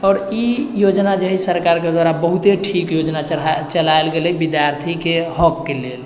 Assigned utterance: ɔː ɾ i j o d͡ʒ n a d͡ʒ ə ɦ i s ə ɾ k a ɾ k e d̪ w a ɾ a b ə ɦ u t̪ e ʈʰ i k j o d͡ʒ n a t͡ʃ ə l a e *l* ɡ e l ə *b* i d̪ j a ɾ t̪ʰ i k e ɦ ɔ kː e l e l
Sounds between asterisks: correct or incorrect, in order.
correct, correct

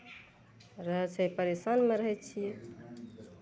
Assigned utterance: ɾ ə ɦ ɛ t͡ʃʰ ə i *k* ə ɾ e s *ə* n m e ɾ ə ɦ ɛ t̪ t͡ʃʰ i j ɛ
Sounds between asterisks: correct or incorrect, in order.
incorrect: p, incorrect: a

